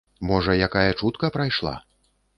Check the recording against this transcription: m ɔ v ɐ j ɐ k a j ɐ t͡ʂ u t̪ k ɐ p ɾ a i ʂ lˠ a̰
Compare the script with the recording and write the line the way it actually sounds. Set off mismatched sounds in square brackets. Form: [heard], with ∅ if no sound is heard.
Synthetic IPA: m ɔ [ʐ] ɐ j [a] k a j ɐ t͡ʂ u t̪ k ɐ p ɾ a [j] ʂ lˠ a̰